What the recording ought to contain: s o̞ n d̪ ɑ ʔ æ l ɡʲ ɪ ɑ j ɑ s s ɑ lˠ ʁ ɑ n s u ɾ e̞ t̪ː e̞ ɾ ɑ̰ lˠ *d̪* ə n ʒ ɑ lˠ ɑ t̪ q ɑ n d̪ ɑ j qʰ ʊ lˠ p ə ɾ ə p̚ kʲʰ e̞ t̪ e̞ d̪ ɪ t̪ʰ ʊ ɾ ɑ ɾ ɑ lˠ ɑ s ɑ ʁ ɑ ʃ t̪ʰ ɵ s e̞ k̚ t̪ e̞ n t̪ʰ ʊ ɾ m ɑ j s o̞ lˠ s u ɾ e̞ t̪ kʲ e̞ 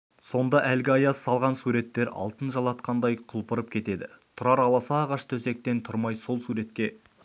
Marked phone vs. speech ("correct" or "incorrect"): incorrect